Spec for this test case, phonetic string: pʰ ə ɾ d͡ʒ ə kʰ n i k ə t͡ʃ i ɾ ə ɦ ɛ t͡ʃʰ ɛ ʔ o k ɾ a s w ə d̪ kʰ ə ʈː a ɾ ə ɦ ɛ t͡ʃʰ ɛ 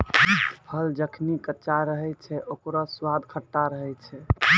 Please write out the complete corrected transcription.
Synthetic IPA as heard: pʰ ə l d͡ʒ ə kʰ n i k ə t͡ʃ a ɾ ə ɦ ɛ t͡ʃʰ ɛ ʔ o k ɾ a s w a d̪ kʰ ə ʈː a ɾ ə ɦ ɛ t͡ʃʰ ɛ